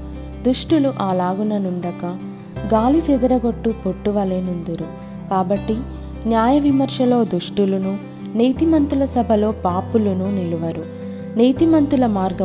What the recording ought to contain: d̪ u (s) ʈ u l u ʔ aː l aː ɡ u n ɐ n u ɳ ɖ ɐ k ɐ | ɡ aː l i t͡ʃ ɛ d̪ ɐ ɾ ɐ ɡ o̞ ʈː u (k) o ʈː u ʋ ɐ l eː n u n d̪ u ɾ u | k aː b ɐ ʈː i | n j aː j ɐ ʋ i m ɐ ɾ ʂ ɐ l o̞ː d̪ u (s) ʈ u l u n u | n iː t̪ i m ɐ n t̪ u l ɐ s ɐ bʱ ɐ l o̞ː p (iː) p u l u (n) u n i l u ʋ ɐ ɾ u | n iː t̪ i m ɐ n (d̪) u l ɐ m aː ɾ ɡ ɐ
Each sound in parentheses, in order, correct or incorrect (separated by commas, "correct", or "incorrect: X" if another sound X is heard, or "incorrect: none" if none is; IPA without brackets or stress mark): incorrect: ʂ, incorrect: p, incorrect: ʂ, incorrect: aː, correct, incorrect: t̪